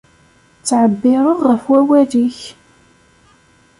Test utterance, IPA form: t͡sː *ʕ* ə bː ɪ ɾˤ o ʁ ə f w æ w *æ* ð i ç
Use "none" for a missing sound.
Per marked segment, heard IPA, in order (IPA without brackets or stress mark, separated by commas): ʕ, æ